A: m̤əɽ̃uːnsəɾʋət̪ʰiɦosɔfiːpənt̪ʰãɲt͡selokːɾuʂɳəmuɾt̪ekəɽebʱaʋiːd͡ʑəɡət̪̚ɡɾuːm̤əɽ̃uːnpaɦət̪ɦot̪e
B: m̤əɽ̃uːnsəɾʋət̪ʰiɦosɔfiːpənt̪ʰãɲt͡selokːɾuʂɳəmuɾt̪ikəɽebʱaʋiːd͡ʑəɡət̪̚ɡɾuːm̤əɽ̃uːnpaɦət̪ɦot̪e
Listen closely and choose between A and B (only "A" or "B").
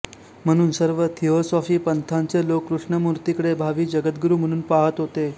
B